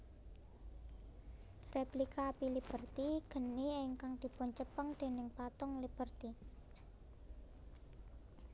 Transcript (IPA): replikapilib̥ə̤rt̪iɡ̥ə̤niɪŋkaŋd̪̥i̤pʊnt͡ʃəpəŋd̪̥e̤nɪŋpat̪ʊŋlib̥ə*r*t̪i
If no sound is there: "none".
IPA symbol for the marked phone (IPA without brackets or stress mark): r